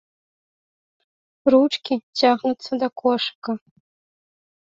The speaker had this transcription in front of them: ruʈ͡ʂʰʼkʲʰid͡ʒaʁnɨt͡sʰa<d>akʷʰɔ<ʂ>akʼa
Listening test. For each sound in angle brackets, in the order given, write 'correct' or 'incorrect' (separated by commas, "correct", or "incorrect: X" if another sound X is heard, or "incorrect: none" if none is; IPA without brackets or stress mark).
correct, correct